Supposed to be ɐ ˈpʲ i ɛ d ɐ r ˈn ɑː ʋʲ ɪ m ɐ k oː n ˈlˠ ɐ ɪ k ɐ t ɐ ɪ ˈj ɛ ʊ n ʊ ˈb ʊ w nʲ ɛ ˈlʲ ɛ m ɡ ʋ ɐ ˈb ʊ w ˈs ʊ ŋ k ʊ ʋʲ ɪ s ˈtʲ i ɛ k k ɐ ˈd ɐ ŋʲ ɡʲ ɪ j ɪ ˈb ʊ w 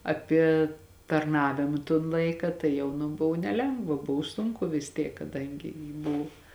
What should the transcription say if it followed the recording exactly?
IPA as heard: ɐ ˈpʲ i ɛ t ɐ r ˈn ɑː ʋʲ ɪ m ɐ t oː n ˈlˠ ɐ ɪ k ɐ t ɐ ɪ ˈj ɛ ʊ n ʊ ˈb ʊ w nʲ ɛ ˈlʲ ɛ ŋ ɡ ʋ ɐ ˈb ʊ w ˈs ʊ ŋ k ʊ ʋʲ ɪ s ˈtʲ i ɛ k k ɐ ˈd ɐ ŋʲ ɡʲ ɪ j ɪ ˈb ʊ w